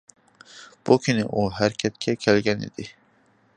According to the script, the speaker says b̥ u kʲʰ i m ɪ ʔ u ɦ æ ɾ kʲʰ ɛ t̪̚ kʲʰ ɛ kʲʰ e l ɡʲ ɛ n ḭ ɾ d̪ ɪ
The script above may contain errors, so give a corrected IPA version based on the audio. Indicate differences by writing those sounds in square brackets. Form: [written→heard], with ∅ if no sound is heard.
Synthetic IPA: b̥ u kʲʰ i [m→n] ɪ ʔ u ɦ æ ɾ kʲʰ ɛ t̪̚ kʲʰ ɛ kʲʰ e l ɡʲ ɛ n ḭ [ɾ→∅] d̪ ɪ